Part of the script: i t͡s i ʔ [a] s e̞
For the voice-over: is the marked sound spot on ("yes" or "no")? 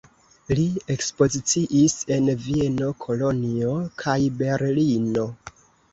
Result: no